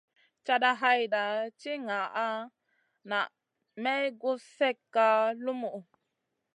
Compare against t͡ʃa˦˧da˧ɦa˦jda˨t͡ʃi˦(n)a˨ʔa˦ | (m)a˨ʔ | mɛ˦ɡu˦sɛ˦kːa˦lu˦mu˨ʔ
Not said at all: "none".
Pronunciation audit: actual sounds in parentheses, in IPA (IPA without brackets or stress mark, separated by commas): ŋ, n